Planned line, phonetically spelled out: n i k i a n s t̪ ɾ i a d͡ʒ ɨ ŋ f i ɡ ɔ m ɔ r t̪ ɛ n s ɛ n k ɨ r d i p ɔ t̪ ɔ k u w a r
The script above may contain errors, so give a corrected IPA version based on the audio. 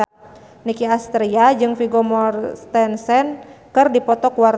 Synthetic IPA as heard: n i k i a s t̪ ɾ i a d͡ʒ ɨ ŋ f i ɡ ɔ m ɔ r t̪ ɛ n s ɛ n k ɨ r d i p ɔ t̪ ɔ k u w a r